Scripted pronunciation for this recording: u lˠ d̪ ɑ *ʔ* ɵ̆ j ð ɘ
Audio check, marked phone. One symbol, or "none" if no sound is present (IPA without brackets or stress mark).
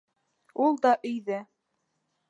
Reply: ʔ